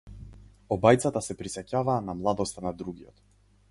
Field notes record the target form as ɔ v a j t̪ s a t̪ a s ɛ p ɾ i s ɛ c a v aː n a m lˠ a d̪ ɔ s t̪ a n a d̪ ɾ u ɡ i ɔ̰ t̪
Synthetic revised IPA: ɔ b a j t̪ s a t̪ a s ɛ p ɾ i s ɛ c a v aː n a m lˠ a d̪ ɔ s t̪ a n a d̪ ɾ u ɡ i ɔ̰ t̪